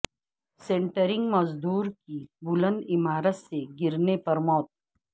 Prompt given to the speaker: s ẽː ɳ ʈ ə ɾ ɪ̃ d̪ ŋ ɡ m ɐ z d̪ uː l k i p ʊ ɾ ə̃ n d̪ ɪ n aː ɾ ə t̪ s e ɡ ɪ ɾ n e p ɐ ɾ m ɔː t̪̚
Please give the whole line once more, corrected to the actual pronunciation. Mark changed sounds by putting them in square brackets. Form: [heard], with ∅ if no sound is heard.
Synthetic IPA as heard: s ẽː ɳ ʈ ə ɾ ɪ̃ [∅] ŋ ɡ m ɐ z d̪ uː [ɾ] k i [b] ʊ [l] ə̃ n d̪ ɪ [m] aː ɾ ə t̪ s e ɡ ɪ ɾ n e p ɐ ɾ m ɔː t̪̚